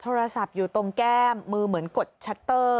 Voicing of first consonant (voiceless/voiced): voiceless